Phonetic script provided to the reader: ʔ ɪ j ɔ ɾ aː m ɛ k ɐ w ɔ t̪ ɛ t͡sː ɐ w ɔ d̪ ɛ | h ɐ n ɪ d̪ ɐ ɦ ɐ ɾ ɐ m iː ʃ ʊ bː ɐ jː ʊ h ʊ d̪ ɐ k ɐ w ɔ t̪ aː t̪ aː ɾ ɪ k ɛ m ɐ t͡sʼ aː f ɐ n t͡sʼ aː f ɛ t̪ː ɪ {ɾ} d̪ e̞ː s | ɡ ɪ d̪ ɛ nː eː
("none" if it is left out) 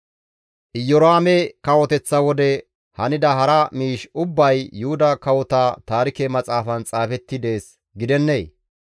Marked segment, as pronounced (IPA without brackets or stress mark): none